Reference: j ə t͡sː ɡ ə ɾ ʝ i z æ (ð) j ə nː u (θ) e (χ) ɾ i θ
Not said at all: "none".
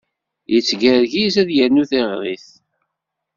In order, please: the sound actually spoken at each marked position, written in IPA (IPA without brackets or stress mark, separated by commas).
ð, θ, ʁ